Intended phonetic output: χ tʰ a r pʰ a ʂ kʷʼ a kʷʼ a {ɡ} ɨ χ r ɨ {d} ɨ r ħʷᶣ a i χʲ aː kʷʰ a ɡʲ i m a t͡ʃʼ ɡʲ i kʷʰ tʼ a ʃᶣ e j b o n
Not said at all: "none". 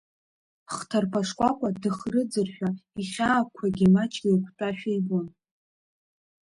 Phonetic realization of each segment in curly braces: d, d͡z

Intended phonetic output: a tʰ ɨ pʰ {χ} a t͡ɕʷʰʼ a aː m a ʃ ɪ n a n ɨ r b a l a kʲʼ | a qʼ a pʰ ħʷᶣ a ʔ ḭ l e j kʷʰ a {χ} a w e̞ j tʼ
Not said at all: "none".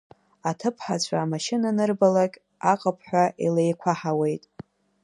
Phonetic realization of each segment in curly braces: ħ, ħ

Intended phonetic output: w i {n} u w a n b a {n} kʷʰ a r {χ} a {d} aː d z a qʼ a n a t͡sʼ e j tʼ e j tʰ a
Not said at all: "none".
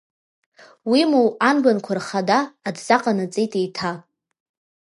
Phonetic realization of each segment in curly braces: m, n, χ, d

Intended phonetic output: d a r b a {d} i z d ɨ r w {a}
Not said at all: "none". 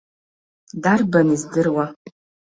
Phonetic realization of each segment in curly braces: n, a

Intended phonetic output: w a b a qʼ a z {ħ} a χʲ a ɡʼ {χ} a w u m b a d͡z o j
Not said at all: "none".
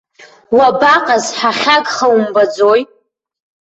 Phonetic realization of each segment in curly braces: ħ, χ

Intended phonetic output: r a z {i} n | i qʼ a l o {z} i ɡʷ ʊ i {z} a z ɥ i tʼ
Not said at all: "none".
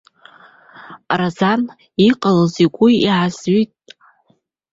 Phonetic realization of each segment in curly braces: a, z, ʕ

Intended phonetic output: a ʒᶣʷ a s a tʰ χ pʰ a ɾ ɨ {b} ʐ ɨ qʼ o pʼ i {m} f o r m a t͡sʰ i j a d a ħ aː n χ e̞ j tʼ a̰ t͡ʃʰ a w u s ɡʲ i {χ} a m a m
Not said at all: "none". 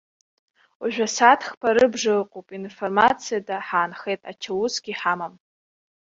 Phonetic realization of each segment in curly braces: b, n, ħ

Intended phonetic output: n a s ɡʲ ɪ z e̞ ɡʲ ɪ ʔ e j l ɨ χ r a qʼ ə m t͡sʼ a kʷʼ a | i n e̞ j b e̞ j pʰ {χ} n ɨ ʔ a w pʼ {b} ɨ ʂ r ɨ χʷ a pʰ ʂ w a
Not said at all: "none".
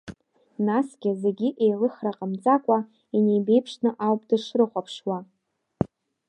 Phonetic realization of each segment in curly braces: ʂ, d

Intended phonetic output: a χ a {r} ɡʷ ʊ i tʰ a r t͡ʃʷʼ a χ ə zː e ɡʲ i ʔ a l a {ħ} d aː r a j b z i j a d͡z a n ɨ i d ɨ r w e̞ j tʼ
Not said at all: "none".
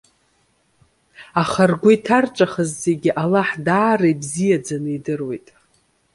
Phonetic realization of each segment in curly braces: r, ħ

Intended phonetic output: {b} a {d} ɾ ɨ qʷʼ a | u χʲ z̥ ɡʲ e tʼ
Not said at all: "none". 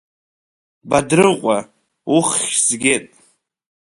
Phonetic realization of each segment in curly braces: b, d

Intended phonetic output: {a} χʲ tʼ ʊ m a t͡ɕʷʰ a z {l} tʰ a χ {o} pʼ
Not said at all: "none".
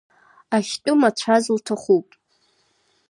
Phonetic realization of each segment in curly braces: a, l, u

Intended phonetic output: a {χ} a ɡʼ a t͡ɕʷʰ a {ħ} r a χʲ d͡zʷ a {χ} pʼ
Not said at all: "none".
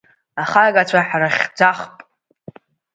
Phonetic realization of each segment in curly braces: χ, ħ, χ

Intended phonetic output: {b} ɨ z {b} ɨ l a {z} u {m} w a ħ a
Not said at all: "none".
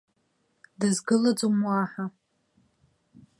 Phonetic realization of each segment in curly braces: d, ɡ, d͡z, m

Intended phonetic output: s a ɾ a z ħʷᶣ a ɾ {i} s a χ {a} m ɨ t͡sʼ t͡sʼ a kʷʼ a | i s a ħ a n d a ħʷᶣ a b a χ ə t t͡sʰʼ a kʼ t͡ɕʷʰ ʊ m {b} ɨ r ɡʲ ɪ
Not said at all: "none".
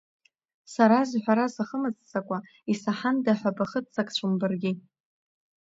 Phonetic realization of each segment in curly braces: a, ə, b

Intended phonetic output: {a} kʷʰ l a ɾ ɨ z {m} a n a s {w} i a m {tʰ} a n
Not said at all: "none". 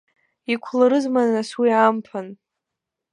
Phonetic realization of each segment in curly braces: i, m, w, pʰ

